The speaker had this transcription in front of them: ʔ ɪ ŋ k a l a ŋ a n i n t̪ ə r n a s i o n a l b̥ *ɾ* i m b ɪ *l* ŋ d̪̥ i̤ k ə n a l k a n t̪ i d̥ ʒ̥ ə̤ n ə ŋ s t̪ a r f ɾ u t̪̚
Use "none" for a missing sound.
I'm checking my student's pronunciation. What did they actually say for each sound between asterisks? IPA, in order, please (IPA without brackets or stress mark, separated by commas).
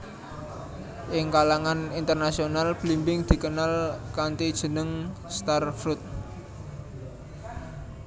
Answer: l, none